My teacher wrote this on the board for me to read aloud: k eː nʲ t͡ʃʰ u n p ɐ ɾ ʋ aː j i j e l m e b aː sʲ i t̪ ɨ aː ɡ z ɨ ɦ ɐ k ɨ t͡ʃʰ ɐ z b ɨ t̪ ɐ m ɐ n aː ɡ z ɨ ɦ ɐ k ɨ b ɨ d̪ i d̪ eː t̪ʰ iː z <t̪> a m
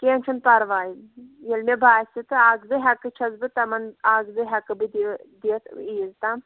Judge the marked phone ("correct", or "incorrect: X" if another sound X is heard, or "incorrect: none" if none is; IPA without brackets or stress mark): correct